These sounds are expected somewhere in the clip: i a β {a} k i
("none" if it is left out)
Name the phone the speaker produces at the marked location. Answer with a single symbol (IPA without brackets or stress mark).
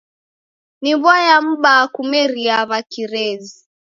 a